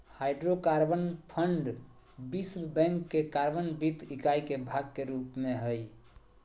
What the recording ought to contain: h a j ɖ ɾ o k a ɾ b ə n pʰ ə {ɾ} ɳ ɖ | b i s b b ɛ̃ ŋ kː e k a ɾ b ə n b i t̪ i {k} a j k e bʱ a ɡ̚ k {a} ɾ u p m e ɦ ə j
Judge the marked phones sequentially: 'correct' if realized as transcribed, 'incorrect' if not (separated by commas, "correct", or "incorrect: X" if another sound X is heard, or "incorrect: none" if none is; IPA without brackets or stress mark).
incorrect: none, correct, incorrect: e